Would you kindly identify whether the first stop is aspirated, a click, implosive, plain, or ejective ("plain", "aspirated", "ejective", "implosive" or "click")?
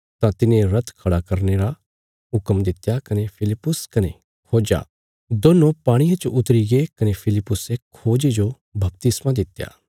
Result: plain